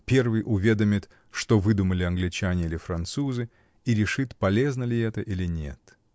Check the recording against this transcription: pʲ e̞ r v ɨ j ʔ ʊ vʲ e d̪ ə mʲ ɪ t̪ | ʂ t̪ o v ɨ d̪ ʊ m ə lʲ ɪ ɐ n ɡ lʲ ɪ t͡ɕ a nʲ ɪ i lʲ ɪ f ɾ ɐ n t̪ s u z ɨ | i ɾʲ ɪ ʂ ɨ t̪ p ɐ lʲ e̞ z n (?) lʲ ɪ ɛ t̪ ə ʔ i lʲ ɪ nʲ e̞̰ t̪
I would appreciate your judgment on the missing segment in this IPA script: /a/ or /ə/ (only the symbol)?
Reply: ə